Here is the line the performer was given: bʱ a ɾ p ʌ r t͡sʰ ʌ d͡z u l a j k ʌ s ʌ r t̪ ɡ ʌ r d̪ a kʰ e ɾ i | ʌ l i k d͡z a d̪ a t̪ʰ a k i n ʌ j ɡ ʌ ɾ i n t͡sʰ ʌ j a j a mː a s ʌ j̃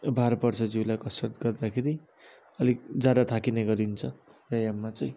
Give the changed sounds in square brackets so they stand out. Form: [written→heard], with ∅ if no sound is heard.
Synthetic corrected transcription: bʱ a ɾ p ʌ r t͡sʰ ʌ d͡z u l a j k ʌ s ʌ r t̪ ɡ ʌ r d̪ a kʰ e ɾ i | ʌ l i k d͡z a d̪ a t̪ʰ a k i n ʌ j ɡ ʌ ɾ i n t͡sʰ ʌ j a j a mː a [s→t͡s] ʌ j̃